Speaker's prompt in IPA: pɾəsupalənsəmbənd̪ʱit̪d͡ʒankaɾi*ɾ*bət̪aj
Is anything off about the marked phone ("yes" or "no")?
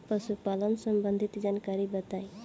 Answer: yes